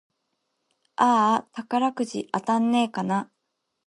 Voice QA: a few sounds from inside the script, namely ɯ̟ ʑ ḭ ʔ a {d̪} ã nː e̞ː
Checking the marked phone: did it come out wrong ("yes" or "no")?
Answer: yes